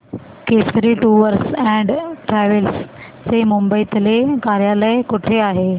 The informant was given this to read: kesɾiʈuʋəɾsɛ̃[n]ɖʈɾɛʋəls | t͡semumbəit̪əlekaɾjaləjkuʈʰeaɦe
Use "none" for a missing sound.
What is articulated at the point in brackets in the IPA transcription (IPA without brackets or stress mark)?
ɳ